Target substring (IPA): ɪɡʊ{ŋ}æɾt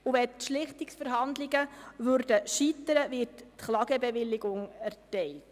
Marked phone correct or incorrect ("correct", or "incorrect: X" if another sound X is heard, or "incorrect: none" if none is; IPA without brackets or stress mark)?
correct